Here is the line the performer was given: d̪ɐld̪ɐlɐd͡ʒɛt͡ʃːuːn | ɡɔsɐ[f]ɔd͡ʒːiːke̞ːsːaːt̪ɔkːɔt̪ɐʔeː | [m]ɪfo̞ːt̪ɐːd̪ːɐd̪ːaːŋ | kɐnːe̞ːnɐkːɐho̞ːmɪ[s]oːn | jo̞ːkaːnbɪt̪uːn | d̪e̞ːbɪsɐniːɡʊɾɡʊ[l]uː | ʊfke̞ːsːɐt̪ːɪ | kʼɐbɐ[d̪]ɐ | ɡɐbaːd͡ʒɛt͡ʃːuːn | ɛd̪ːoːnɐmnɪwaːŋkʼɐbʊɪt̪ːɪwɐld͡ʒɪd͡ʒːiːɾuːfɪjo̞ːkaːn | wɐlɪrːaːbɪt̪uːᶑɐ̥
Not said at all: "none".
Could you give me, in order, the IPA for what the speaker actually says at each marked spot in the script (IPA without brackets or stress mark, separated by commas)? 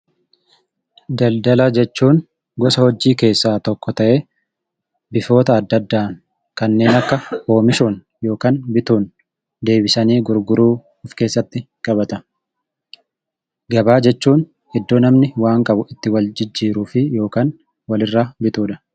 h, b, ʃ, ɾ, t̪